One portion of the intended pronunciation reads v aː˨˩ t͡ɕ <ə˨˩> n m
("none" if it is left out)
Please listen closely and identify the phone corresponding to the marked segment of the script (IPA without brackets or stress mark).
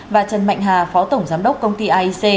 ə˨˩